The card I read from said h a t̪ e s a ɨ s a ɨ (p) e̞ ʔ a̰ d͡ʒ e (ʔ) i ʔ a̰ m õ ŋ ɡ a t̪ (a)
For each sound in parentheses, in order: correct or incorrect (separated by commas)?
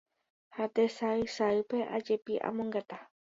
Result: correct, incorrect, correct